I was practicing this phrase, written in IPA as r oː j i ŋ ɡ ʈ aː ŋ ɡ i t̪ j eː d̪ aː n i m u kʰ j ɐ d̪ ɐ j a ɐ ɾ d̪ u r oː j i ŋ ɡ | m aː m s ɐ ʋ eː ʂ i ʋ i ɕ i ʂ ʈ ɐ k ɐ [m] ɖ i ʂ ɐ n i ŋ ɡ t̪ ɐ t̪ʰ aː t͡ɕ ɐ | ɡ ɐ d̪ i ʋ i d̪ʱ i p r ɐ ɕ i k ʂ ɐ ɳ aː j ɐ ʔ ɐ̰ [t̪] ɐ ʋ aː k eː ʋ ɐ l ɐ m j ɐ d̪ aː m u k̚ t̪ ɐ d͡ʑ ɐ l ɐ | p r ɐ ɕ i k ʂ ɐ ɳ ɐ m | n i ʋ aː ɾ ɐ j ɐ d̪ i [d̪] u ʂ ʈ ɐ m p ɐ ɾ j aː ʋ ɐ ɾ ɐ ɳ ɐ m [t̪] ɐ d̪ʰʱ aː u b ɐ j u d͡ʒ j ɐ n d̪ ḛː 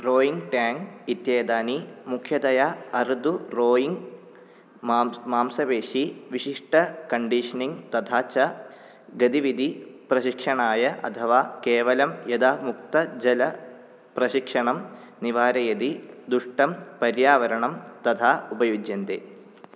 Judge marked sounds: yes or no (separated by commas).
no, no, yes, yes